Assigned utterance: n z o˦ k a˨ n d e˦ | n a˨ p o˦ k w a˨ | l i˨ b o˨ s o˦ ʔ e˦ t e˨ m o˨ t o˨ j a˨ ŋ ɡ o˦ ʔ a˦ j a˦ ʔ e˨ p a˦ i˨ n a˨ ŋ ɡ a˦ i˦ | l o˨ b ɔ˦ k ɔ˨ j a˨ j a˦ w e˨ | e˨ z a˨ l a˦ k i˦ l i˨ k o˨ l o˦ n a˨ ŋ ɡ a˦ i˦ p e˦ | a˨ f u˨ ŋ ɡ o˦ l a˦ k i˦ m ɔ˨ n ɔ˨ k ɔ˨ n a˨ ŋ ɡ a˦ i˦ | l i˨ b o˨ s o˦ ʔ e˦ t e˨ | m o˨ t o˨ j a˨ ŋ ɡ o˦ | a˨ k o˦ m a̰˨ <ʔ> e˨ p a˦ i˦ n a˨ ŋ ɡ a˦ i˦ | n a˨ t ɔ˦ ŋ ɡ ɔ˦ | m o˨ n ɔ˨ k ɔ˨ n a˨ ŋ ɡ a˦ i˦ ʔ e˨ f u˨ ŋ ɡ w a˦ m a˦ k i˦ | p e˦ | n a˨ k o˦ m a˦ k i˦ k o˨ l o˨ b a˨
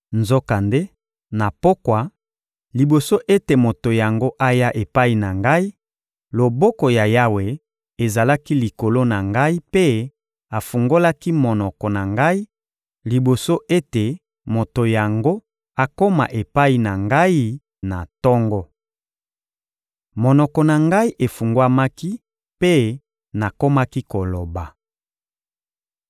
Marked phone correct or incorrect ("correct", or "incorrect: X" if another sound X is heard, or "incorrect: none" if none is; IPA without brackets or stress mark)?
correct